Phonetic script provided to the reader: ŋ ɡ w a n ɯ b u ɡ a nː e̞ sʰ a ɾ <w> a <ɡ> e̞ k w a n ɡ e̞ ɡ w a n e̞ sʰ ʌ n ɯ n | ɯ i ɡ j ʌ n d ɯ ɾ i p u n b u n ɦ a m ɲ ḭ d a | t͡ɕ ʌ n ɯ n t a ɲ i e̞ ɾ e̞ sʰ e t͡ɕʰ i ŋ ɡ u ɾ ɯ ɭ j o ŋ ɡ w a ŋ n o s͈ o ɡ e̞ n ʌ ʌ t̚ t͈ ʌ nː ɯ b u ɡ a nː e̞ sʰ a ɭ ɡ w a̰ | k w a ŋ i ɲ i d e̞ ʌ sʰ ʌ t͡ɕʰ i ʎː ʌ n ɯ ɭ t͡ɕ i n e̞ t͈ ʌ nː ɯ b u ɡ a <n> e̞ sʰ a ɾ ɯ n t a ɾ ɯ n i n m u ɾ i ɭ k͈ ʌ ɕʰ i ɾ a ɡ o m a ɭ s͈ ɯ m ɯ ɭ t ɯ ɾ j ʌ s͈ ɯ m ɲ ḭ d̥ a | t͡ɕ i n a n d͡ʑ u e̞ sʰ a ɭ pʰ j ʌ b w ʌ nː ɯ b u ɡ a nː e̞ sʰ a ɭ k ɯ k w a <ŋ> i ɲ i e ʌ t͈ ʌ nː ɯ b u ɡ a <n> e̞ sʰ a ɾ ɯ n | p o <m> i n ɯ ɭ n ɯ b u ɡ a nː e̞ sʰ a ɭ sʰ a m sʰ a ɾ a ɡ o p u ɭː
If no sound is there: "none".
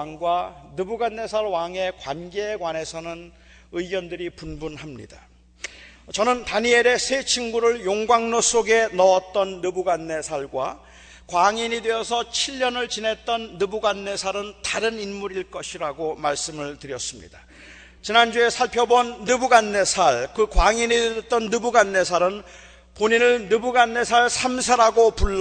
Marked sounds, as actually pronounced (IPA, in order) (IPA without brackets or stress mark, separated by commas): w, ŋ, nː, ŋ, nː, ɲ